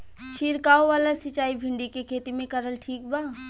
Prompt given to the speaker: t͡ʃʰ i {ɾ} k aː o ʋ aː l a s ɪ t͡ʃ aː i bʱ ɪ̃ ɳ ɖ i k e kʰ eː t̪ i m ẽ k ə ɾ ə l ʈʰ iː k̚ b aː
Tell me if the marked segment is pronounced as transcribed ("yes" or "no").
yes